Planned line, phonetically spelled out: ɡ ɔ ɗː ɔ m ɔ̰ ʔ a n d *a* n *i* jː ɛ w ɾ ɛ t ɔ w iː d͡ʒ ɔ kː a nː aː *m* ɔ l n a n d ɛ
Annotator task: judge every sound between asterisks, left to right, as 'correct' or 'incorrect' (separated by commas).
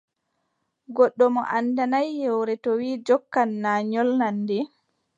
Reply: correct, incorrect, incorrect